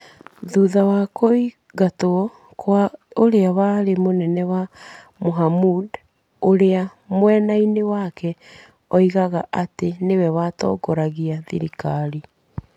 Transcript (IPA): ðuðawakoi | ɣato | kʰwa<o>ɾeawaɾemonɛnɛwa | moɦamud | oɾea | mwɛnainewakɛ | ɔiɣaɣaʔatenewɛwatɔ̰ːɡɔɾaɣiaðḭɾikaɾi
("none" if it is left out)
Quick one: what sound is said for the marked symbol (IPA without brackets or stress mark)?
o